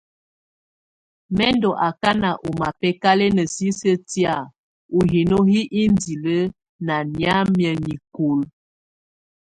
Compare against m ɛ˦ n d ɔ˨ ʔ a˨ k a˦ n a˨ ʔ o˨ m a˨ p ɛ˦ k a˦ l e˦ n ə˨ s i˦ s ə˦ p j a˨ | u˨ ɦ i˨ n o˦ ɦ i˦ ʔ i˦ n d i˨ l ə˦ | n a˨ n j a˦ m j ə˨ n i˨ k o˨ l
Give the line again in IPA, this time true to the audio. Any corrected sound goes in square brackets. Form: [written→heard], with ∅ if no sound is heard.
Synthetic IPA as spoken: m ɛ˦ n d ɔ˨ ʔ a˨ k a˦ n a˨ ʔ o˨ m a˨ p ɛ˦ k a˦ l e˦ n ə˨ s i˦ s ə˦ [p→t] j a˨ | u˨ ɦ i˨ n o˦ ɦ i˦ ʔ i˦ n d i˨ l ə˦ | n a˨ n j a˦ m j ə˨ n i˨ k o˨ l